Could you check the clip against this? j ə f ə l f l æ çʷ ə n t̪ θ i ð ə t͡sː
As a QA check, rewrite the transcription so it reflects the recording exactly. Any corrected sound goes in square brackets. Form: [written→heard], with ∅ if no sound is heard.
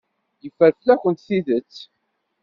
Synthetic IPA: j ə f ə [l→ɾ] f l æ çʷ ə n t̪ θ i ð ə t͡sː